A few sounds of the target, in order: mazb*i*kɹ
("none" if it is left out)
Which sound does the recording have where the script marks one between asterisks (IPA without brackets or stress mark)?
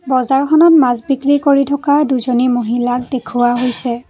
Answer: i